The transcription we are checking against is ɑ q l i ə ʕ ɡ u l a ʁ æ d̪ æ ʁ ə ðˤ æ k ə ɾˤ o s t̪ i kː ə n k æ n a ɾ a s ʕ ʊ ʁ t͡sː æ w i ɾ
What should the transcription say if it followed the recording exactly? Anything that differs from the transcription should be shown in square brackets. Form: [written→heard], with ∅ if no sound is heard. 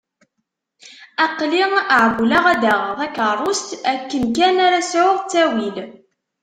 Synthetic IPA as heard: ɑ q l i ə ʕ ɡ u l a ʁ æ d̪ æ ʁ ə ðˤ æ k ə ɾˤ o s t̪ [i→æ] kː ə n k æ n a ɾ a s ʕ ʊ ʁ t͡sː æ w i [ɾ→l]